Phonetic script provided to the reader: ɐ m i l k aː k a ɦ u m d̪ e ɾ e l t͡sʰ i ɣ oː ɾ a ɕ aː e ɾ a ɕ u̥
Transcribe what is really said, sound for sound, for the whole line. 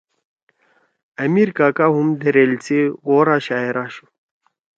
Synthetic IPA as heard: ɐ m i ɾ k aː k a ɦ u m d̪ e ɾ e l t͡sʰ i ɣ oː ɾ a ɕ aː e ɾ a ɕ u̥